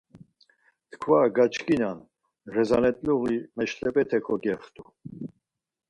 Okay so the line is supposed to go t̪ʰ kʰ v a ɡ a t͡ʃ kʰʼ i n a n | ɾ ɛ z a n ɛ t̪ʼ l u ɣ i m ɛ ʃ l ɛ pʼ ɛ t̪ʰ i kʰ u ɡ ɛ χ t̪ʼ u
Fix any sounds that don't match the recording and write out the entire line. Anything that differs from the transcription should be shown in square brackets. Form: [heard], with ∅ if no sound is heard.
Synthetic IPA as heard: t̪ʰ kʰ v a ɡ a t͡ʃ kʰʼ i n a n | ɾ ɛ z a n ɛ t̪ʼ l u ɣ i m ɛ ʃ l ɛ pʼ ɛ t̪ʰ [ɛ] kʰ [ɔ] ɡ ɛ χ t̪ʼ u